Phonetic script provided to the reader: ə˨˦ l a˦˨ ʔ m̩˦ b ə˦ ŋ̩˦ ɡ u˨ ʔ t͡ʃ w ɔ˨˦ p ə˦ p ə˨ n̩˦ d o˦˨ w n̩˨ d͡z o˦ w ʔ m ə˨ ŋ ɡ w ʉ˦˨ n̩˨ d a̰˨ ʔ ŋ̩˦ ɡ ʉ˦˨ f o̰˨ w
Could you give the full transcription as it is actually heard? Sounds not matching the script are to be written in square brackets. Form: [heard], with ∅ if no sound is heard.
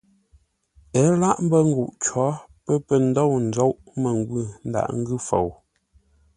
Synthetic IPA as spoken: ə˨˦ l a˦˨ ʔ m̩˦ b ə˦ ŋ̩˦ ɡ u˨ ʔ t͡ʃ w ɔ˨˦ p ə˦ p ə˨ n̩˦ d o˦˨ w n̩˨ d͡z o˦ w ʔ m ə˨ ŋ ɡ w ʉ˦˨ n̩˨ d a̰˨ ʔ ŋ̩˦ ɡ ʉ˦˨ f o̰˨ w